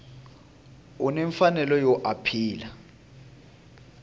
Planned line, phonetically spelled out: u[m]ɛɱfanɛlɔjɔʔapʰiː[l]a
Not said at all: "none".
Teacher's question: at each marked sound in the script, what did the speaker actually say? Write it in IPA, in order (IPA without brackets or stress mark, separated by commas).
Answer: n, l